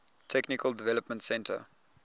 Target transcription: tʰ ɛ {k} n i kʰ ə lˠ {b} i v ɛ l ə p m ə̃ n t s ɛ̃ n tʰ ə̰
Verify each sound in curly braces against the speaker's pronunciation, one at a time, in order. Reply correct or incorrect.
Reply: correct, incorrect: d

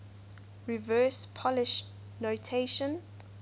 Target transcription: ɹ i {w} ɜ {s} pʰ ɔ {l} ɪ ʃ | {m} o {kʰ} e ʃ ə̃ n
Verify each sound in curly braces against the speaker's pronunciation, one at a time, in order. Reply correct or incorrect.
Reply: incorrect: v, correct, correct, incorrect: n, incorrect: tʰ

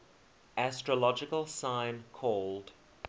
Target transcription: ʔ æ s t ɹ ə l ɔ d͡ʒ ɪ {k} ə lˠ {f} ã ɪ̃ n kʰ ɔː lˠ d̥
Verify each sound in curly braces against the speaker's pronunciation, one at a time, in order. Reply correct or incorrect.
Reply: correct, incorrect: s

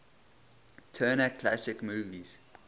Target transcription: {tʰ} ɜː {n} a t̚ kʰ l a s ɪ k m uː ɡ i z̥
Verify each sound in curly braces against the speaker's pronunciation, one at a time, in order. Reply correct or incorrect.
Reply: correct, correct

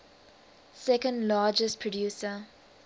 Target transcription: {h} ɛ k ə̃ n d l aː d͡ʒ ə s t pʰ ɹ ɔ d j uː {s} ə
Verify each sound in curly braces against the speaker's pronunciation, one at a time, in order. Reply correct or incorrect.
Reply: incorrect: s, correct

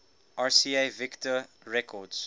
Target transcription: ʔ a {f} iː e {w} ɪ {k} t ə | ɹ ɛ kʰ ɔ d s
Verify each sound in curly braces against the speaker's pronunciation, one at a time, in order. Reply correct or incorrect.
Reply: incorrect: s, incorrect: v, correct

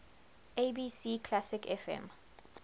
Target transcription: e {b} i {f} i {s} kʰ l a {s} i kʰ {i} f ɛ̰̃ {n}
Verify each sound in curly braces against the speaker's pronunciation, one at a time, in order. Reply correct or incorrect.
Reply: correct, incorrect: s, incorrect: none, correct, incorrect: ɛ, incorrect: m

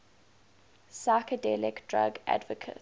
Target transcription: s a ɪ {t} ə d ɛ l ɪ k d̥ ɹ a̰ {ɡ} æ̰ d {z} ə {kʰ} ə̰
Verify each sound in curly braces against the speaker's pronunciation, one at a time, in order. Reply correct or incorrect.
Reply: incorrect: k, correct, incorrect: v, correct

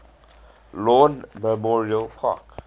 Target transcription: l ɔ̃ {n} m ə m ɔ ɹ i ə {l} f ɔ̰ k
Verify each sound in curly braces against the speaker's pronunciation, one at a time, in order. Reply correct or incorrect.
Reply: correct, correct

